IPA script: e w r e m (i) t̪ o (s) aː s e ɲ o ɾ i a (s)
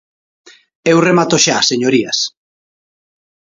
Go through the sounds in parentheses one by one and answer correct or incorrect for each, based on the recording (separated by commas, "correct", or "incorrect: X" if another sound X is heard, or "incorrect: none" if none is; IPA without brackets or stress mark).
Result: incorrect: a, incorrect: ʃ, correct